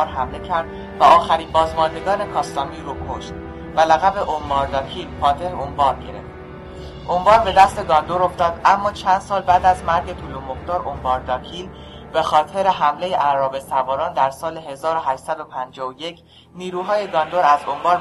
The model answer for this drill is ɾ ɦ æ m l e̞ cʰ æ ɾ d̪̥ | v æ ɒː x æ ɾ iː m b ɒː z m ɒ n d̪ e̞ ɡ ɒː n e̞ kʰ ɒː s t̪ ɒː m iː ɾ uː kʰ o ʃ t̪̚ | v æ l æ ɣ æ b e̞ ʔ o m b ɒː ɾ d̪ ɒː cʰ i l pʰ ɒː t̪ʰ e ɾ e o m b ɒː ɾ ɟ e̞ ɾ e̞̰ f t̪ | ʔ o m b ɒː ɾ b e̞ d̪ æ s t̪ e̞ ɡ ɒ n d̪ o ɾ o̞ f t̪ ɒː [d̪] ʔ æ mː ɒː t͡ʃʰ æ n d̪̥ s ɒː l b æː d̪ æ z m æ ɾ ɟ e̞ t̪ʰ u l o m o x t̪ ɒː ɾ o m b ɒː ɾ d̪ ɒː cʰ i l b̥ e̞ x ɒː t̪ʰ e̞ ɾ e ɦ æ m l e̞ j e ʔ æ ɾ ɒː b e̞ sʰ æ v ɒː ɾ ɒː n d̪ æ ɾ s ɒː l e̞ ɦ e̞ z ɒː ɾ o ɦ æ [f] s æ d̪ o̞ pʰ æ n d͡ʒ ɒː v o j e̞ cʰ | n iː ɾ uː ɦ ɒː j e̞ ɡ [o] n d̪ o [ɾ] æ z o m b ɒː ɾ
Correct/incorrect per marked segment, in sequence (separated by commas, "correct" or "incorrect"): correct, incorrect, incorrect, correct